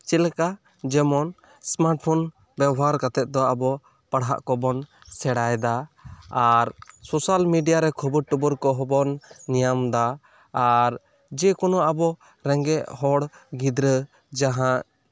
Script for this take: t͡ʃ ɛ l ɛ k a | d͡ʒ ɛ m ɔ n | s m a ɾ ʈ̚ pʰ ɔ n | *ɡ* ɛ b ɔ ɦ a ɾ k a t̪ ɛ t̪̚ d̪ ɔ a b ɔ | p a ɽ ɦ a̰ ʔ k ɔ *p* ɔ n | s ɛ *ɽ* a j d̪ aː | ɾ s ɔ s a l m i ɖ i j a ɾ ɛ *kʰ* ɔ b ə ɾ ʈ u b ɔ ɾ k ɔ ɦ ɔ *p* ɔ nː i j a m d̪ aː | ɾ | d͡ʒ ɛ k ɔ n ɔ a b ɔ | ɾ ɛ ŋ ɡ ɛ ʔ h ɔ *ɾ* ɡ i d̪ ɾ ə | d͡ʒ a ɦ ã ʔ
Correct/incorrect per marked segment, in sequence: incorrect: b, incorrect: b, correct, correct, incorrect: b, incorrect: ɽ

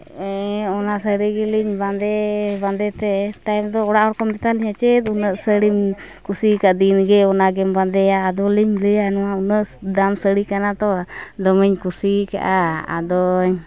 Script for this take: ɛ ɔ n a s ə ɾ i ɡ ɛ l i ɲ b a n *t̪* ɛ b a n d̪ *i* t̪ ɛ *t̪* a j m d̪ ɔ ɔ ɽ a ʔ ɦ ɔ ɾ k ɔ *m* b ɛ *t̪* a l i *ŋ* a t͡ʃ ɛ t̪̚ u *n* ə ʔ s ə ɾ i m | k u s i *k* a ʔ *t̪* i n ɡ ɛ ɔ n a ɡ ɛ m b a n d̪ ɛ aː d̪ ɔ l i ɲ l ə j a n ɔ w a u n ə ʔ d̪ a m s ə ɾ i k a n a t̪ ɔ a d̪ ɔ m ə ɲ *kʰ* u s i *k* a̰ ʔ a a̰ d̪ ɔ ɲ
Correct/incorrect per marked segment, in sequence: incorrect: d̪, incorrect: ɛ, correct, correct, correct, incorrect: ɲ, correct, correct, incorrect: d̪, incorrect: k, correct

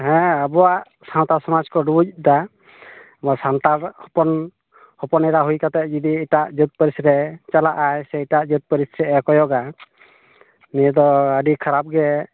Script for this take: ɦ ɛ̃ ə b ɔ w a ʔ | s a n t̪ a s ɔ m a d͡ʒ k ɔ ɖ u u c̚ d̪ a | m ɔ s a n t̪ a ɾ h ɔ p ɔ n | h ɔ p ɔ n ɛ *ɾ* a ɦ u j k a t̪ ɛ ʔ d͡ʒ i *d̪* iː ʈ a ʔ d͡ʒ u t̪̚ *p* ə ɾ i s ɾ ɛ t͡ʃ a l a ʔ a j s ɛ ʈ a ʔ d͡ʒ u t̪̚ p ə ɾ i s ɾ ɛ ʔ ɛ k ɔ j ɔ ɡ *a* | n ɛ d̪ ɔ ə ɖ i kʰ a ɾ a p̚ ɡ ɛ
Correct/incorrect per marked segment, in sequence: correct, correct, correct, correct

